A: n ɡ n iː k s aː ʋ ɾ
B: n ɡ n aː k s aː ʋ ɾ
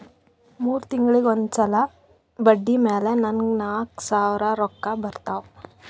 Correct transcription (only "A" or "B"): B